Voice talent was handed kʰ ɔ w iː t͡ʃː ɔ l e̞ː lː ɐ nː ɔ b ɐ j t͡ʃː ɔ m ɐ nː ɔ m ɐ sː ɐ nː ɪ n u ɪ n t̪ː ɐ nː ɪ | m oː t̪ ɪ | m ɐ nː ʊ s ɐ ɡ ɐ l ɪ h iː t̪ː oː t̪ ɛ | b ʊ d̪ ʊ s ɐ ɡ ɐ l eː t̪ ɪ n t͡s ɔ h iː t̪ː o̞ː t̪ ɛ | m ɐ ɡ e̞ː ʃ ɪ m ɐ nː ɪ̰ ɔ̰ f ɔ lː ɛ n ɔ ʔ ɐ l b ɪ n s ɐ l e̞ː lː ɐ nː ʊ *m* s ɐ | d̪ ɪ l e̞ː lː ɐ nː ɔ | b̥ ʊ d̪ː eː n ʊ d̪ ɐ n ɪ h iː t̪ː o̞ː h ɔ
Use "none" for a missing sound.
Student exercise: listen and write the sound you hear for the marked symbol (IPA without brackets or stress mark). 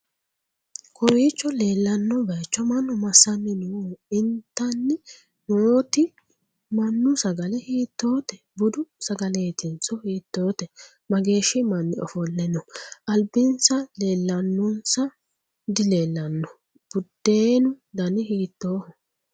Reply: n